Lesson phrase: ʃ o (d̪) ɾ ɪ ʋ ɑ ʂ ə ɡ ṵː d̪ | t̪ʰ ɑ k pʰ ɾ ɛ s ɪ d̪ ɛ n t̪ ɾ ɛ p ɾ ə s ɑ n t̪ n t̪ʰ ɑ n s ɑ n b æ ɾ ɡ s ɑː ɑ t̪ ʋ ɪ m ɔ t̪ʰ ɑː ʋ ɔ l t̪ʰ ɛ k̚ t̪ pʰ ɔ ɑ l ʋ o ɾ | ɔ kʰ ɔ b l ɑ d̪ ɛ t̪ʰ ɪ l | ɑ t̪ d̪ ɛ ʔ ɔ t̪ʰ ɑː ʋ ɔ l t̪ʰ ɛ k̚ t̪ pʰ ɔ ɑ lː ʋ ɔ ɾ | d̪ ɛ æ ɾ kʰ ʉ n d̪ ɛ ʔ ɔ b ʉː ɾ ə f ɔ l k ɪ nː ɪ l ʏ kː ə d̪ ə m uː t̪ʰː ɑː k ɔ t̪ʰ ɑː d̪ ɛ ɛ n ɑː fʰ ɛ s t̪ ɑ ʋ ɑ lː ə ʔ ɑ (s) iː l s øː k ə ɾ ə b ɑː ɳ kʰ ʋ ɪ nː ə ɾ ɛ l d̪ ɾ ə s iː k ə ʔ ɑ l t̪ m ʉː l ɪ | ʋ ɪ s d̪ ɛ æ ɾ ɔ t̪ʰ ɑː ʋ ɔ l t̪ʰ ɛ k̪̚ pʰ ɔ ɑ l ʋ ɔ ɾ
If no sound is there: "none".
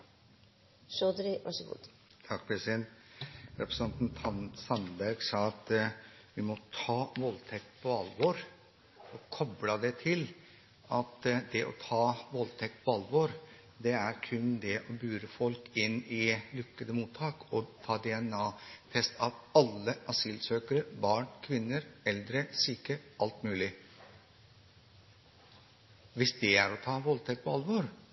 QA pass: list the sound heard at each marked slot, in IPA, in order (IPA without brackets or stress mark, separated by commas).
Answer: d̪, s